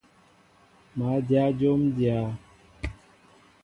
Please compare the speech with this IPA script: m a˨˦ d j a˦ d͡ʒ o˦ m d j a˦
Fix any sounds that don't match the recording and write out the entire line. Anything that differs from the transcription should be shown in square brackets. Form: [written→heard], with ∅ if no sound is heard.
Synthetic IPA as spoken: m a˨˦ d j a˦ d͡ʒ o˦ m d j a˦